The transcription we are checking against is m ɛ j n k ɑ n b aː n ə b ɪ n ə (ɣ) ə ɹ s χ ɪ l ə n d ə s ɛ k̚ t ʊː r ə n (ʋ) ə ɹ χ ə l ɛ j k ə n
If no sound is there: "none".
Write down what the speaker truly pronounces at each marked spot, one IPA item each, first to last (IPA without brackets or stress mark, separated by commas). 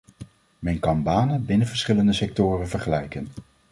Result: v, v